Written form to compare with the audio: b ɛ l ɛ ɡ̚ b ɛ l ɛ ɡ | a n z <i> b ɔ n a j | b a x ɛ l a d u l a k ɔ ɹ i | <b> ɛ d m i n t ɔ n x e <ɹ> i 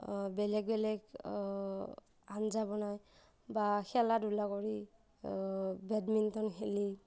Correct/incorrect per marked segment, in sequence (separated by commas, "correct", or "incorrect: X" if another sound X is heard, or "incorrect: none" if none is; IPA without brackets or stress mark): incorrect: a, correct, incorrect: l